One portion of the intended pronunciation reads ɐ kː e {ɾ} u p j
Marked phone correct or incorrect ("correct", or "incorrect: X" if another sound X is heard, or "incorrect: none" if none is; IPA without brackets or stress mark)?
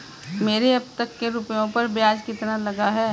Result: correct